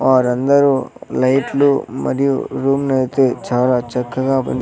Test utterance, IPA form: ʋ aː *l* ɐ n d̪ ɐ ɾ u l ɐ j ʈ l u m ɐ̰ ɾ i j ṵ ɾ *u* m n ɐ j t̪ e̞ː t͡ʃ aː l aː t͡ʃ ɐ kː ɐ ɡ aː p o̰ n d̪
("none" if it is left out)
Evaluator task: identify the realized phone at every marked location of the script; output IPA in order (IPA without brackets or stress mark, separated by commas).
ɾ, uː